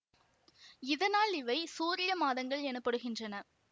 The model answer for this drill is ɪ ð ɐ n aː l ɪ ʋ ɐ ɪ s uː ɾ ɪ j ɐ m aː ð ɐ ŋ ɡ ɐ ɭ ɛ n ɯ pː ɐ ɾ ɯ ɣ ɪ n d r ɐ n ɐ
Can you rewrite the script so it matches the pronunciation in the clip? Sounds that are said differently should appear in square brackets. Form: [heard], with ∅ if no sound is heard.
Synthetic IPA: ɪ ð ɐ n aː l ɪ ʋ ɐ ɪ s uː ɾ ɪ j ɐ m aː ð ɐ ŋ ɡ ɐ ɭ ɛ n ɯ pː ɐ [ɽ] ɯ ɣ ɪ n d r ɐ n ɐ